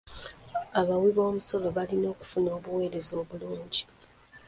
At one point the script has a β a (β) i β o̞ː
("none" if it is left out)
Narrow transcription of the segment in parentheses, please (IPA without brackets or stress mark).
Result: w